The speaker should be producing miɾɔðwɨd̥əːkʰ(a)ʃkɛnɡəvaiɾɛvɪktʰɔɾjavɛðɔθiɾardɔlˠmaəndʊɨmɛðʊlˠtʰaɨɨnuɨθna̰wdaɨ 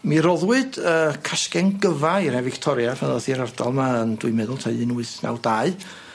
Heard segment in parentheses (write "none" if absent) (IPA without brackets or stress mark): a